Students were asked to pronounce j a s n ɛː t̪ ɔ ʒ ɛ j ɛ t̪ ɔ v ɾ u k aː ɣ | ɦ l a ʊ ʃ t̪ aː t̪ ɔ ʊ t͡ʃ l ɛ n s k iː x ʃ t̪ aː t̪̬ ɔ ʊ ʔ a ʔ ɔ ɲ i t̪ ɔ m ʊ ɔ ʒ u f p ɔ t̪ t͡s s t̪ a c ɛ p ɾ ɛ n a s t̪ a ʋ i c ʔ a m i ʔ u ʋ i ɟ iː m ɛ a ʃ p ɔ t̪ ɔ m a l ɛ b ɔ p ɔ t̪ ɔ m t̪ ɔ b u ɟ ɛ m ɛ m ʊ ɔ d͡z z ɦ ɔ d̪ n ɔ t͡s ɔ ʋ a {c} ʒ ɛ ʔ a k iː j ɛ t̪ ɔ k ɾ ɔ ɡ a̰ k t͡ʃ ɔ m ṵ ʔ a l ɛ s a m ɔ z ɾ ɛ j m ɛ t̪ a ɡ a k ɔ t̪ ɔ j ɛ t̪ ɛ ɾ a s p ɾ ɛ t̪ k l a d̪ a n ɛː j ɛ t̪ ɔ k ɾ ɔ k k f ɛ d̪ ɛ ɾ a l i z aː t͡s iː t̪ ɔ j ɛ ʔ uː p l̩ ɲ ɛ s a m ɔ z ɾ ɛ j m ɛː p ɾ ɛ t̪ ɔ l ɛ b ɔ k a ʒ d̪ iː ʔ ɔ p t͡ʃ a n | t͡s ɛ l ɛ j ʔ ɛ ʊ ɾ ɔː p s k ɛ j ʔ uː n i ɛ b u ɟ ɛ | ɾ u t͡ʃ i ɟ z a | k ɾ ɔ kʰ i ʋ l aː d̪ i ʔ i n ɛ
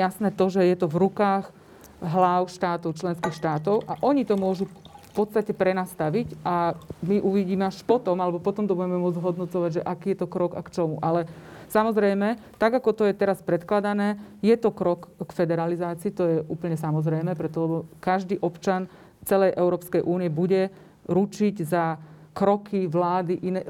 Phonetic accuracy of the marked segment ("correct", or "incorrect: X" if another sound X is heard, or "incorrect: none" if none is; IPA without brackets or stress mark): incorrect: ɟ